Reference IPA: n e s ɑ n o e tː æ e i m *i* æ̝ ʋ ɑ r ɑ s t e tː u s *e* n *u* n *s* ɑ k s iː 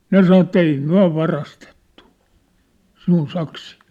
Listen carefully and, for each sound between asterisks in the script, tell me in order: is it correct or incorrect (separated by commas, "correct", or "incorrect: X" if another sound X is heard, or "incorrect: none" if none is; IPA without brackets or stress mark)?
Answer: incorrect: y, incorrect: i, correct, correct